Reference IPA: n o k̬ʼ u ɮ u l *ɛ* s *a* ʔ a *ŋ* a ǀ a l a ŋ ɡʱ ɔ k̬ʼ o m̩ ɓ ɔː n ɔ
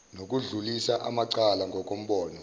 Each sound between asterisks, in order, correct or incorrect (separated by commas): incorrect, correct, incorrect